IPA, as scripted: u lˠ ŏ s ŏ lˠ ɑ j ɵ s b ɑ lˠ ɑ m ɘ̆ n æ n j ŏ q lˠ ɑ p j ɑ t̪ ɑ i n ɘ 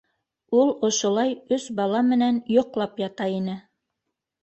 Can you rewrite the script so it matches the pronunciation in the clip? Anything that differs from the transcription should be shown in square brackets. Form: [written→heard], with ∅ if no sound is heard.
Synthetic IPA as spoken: u lˠ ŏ [s→ʃ] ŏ lˠ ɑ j ɵ s b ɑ lˠ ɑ m ɘ̆ n æ n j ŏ q lˠ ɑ p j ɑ t̪ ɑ i n ɘ